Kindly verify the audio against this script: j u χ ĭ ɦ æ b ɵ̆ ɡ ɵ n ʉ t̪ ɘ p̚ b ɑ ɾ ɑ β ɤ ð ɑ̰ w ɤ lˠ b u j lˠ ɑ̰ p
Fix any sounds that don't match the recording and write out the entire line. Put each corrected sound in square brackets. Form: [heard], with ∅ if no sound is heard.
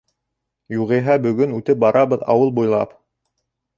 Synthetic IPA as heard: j u [ʁ] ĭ ɦ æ b ɵ̆ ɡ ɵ n ʉ t̪ ɘ p̚ b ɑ ɾ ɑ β ɤ ð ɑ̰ w ɤ lˠ b u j lˠ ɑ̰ p